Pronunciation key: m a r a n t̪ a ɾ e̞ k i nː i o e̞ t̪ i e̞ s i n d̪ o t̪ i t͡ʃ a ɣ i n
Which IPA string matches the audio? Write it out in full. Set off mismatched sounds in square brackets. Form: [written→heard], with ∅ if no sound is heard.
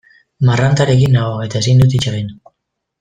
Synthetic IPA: m a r a n t̪ a ɾ e̞ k i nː [i→a] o e̞ t̪ [i→a] e̞ s i n d̪ [o→u] t̪ i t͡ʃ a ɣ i n